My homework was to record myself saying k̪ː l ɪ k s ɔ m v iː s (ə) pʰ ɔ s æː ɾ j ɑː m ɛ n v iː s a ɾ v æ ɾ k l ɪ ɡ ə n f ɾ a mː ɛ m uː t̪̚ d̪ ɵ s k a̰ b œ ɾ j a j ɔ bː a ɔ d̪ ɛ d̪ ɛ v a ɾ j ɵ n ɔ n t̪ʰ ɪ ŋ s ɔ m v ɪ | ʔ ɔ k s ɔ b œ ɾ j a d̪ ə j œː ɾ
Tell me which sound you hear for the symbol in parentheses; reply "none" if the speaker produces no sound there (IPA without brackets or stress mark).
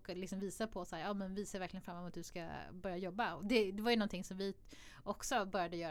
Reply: a